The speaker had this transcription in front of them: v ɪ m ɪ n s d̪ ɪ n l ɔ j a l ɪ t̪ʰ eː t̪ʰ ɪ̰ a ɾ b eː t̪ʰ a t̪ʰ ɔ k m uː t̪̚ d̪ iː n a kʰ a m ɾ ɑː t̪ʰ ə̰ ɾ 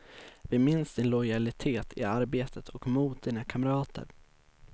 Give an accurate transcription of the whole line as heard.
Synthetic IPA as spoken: v ɪ m ɪ n s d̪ ɪ n l ɔ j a l ɪ t̪ʰ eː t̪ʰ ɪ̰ a ɾ b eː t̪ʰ ə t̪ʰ ɔ k m uː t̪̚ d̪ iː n a kʰ a m ɾ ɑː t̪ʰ ə̰ ɾ